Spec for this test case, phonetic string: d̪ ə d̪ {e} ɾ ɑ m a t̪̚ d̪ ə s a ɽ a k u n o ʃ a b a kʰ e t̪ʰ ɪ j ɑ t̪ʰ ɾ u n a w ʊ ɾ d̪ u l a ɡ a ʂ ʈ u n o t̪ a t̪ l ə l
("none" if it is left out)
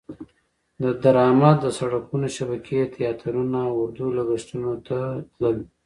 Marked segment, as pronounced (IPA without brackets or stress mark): a